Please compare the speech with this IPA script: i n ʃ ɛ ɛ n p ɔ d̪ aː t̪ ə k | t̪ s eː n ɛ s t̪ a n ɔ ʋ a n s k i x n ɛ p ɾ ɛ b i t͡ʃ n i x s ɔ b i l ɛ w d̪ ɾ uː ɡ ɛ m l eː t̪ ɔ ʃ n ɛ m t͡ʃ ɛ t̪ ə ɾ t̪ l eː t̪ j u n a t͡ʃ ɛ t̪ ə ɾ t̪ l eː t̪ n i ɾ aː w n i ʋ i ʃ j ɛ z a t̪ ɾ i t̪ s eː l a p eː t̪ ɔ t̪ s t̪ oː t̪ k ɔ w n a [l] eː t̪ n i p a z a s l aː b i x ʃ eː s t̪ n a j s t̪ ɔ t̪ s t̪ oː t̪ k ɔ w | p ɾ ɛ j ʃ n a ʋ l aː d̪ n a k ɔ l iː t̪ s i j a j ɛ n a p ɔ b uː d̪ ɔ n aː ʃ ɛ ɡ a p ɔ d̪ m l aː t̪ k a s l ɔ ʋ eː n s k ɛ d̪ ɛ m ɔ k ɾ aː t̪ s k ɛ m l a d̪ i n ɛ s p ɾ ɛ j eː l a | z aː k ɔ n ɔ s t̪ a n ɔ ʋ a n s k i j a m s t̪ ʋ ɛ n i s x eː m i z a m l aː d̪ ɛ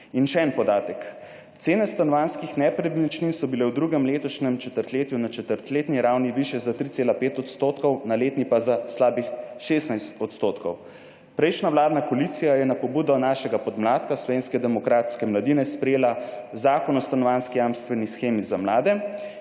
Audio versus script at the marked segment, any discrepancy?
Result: no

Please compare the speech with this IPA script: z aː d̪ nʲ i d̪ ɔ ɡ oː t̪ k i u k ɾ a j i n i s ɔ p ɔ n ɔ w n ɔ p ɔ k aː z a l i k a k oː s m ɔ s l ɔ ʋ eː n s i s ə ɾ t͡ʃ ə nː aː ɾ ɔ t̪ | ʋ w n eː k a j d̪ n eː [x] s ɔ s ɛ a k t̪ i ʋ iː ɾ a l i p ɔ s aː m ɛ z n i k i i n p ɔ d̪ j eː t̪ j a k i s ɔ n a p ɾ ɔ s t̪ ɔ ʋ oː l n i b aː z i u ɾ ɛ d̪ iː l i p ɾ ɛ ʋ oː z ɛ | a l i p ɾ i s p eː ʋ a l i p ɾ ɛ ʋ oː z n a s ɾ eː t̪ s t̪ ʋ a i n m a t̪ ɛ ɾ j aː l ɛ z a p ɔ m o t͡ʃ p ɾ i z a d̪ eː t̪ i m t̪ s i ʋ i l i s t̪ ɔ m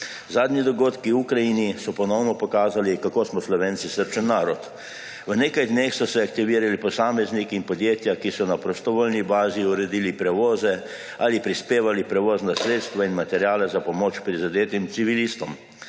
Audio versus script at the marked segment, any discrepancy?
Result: no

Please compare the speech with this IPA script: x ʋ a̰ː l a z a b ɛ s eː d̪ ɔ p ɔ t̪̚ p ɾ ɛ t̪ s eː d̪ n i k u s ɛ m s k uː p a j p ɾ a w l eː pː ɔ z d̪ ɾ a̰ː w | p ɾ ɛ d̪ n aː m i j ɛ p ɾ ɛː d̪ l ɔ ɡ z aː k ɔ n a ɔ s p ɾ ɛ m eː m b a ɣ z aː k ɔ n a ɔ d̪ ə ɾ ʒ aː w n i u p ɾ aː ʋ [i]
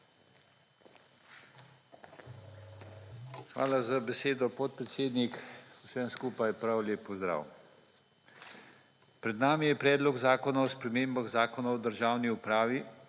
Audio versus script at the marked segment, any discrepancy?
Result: no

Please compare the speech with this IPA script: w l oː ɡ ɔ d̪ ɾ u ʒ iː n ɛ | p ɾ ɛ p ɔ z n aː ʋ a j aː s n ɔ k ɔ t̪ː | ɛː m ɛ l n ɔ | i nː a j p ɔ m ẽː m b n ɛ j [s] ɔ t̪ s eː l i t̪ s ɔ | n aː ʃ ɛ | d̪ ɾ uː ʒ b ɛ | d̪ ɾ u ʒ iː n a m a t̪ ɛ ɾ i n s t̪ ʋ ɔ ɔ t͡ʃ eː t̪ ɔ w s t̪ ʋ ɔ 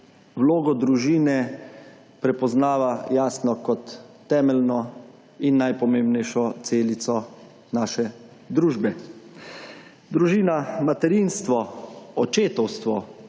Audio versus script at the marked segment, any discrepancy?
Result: yes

